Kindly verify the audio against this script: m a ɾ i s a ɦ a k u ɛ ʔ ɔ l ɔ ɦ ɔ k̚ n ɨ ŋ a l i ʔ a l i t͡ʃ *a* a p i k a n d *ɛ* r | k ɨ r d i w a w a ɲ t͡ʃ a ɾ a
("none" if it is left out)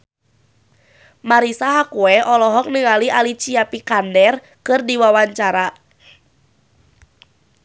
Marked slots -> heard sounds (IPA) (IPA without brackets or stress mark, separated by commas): i, ɛ